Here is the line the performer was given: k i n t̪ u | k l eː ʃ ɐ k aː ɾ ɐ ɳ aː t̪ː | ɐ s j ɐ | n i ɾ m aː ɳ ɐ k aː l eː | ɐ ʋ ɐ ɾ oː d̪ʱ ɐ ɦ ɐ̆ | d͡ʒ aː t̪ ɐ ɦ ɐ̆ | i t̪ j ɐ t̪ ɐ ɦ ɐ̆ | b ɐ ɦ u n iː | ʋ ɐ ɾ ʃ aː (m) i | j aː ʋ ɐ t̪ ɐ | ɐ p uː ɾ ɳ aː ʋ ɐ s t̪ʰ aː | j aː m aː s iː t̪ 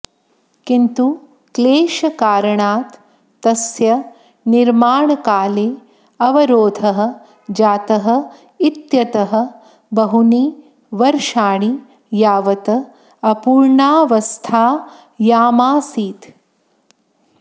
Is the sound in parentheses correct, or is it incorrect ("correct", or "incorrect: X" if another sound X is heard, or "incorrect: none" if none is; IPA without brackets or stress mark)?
incorrect: ɳ